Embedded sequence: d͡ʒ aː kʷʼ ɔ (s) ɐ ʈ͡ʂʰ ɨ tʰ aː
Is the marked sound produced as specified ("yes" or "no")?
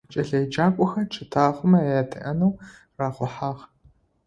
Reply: no